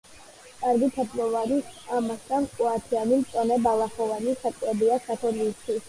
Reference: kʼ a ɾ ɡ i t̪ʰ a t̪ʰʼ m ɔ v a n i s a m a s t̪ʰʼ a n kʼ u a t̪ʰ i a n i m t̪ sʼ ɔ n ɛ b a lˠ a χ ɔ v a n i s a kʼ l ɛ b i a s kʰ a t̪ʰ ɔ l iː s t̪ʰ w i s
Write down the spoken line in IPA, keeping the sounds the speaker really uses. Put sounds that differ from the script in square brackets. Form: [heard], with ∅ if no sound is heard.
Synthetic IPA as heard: kʼ a ɾ ɡ i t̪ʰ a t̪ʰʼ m ɔ v a n i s a m a s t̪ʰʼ a n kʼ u a t̪ʰ i a n i m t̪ sʼ ɔ n ɛ b a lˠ a χ ɔ v a n i s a kʼ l ɛ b i a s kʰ a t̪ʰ ɔ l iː s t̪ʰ w i s